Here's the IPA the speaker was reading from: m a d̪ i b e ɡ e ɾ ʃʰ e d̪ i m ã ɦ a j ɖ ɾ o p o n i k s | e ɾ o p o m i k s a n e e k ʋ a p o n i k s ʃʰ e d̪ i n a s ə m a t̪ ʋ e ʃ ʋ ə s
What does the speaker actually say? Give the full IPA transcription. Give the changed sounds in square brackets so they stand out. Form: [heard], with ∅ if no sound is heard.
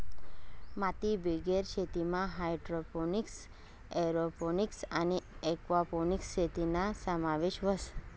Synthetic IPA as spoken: m a [t̪] i b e ɡ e ɾ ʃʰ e [t̪] i m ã ɦ a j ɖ ɾ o p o n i k s | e ɾ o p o [n] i k s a n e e k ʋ a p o n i k s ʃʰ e [t̪] i n a s ə m a [∅] ʋ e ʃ ʋ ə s